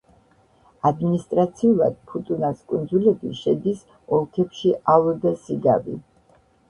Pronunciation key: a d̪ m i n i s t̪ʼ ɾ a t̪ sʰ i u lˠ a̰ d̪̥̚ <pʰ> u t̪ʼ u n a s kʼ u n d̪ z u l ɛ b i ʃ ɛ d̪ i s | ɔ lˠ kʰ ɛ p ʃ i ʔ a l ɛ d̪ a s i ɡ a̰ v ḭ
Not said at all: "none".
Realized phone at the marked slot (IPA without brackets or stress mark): pʰ